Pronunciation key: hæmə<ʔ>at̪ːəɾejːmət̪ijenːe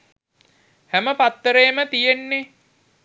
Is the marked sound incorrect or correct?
incorrect: p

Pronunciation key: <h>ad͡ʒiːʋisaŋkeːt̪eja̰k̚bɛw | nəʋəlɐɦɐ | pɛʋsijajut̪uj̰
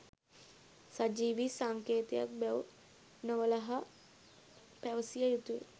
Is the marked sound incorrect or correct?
incorrect: s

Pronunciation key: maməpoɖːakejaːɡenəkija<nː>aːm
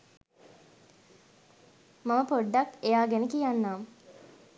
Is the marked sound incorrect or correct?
correct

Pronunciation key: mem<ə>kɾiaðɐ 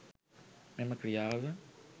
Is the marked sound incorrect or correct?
incorrect: ɐ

